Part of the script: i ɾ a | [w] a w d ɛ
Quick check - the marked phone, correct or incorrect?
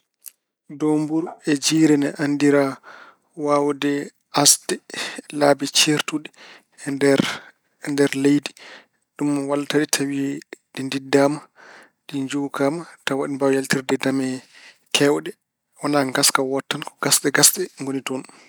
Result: correct